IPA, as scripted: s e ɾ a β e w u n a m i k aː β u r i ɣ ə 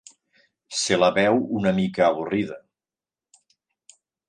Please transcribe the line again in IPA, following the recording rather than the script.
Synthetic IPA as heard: s e l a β ɛ w u n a m i k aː β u r i ð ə